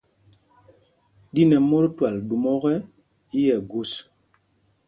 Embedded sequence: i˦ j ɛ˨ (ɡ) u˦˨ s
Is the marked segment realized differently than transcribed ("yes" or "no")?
no